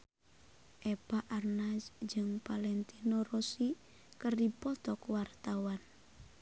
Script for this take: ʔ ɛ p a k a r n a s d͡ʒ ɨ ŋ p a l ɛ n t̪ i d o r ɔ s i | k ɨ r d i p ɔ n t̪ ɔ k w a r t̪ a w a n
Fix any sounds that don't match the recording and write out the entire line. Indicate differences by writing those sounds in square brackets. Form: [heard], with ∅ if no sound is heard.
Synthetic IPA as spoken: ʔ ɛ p a [ʔ] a r n a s d͡ʒ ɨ ŋ p a l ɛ n t̪ i [n] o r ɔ s i | k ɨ r d i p ɔ [∅] t̪ ɔ k w a r t̪ a w a n